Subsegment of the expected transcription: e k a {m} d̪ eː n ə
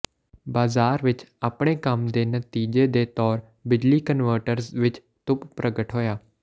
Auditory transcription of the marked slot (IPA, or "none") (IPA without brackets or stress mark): m